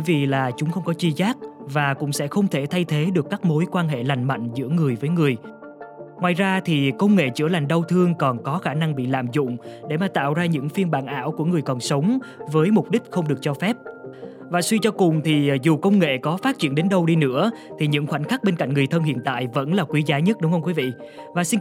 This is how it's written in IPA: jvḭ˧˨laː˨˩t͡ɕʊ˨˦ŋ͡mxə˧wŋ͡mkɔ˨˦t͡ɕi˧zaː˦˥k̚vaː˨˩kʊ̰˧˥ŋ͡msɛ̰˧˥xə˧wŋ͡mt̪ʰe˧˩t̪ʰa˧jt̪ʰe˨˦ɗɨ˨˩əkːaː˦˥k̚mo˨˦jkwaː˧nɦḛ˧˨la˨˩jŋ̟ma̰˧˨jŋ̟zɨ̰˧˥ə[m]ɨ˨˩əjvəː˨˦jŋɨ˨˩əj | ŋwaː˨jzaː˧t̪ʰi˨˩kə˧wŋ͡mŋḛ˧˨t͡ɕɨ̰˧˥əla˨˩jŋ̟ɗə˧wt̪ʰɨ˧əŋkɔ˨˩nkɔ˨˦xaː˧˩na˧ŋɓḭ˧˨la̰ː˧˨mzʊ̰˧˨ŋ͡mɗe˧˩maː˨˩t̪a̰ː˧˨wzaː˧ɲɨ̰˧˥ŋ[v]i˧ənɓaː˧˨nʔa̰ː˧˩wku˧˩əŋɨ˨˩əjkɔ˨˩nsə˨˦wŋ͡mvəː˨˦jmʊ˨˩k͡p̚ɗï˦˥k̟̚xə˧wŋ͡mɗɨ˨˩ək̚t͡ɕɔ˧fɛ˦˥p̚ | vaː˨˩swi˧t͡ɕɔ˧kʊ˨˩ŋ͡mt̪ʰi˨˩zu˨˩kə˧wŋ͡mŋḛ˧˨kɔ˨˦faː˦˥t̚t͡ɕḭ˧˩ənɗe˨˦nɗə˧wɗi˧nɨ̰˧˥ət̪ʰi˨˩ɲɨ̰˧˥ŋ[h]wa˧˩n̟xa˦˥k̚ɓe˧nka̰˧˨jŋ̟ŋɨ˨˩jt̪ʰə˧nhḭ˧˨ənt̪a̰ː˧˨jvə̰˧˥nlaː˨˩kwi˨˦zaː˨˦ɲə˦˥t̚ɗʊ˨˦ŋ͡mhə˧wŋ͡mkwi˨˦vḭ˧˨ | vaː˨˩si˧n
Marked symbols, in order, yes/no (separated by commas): no, no, no